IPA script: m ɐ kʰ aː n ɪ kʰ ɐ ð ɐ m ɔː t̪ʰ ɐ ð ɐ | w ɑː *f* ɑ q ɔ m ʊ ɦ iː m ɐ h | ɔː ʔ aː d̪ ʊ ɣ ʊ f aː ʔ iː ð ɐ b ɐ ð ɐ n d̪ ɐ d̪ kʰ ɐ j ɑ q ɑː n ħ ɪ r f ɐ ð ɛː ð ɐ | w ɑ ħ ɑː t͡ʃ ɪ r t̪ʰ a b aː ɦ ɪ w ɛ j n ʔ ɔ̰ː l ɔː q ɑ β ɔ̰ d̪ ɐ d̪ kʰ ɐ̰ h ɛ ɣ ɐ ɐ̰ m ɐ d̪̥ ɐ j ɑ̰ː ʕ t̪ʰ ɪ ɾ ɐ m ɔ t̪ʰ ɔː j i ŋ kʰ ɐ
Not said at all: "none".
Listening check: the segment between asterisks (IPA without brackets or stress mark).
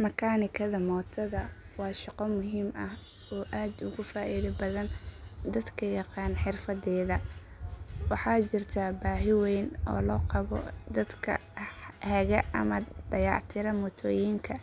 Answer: ʃ